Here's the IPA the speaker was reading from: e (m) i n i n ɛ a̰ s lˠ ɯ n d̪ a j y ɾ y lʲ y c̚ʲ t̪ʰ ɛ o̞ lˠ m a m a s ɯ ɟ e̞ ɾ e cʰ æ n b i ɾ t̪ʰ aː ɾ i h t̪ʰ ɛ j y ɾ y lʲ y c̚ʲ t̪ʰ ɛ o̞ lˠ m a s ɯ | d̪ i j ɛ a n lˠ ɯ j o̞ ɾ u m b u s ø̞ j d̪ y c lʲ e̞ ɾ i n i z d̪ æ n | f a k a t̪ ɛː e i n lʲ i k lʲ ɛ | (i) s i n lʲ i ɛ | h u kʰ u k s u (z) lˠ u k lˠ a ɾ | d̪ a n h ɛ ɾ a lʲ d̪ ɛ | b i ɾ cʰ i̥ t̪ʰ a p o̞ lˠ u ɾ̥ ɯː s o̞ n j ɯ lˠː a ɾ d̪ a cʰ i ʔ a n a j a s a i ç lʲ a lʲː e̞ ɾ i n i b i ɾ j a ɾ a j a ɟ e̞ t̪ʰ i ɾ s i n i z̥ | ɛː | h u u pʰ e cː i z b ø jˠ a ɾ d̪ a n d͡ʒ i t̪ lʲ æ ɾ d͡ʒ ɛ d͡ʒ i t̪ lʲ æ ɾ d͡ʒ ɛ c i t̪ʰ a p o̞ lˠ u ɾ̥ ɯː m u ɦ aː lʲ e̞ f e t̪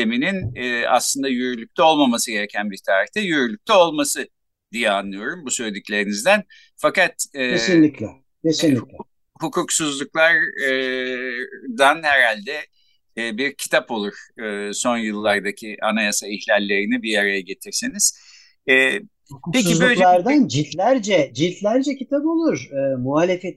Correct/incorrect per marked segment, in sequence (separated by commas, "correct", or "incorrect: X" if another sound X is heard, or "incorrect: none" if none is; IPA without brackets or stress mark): correct, incorrect: e, correct